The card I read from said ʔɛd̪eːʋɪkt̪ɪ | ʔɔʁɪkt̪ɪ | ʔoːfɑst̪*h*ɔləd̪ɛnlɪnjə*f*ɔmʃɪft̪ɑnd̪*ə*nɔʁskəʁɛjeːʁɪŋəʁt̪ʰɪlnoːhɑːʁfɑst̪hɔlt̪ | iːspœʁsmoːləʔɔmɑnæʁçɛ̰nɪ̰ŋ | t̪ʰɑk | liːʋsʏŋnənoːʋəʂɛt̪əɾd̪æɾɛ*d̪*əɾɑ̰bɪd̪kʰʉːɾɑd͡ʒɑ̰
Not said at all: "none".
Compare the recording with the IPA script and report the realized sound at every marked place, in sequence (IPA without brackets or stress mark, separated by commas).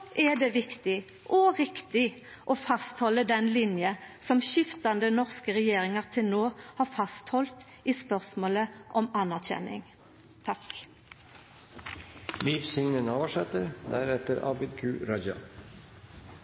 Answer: h, s, ə, t̪